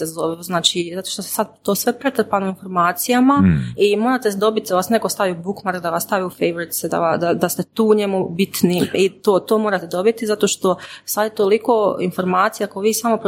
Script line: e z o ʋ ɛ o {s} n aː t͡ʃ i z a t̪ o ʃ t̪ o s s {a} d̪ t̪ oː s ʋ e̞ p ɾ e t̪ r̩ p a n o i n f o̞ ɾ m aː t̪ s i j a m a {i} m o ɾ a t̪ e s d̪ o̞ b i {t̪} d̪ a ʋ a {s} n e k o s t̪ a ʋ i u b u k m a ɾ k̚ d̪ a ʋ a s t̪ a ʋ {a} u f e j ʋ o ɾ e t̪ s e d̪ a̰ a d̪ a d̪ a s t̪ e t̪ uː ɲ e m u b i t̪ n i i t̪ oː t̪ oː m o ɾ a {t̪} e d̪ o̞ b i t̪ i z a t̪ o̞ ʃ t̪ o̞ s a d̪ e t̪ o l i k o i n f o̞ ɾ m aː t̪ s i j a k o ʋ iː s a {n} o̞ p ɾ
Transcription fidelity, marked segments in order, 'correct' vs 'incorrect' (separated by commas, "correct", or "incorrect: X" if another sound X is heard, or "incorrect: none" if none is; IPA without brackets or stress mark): incorrect: z, correct, correct, correct, correct, incorrect: i, correct, incorrect: m